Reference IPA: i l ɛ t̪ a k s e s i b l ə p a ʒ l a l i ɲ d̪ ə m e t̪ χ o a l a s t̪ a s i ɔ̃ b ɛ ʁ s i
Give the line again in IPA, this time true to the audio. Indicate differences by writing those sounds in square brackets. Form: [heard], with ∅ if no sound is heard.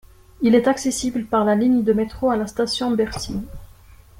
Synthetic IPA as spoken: i l ɛ t̪ a k s e s i b l ə p a [ʁ] l a l i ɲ d̪ ə m e t̪ χ o a l a s t̪ a s [j] ɔ̃ b ɛ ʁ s i